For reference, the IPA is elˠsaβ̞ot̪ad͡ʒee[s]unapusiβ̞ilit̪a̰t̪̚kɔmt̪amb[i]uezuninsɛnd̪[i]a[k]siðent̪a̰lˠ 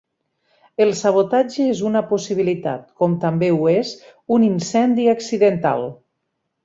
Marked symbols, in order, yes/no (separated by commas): no, no, yes, yes